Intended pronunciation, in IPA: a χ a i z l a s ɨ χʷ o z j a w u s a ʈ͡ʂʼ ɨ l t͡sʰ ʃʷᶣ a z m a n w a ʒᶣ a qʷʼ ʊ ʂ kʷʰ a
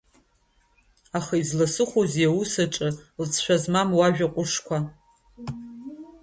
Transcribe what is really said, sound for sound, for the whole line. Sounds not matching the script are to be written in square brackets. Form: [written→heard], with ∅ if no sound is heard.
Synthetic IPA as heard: a χ a i z l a s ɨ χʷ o z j a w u s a ʈ͡ʂʼ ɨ l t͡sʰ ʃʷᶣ a z m a [n→m] w a ʒᶣ a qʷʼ ʊ ʂ kʷʰ a